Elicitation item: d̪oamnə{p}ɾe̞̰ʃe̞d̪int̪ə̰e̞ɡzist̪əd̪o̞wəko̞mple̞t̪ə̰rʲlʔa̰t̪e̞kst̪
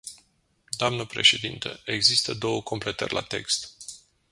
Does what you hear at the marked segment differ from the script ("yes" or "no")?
no